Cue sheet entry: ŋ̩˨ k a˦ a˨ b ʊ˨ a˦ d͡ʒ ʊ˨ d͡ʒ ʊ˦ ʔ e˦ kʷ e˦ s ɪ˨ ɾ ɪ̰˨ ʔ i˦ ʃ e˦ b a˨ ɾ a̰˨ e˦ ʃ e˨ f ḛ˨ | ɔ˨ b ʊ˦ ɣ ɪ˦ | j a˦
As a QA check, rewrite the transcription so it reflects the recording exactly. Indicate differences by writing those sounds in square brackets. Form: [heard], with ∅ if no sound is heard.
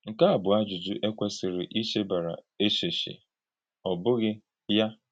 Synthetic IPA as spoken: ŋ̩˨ k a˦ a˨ b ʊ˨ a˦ d͡ʒ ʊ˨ d͡ʒ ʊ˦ ʔ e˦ kʷ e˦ s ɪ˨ ɾ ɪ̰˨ ʔ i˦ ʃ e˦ b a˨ ɾ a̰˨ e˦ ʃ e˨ [ʃ] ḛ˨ | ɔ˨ b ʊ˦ ɣ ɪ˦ | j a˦